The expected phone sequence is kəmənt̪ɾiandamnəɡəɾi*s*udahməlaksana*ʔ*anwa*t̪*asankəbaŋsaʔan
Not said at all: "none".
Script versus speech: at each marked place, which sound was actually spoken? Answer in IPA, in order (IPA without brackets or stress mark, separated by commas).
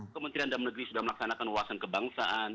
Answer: s, k, none